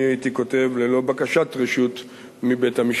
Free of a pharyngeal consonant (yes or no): yes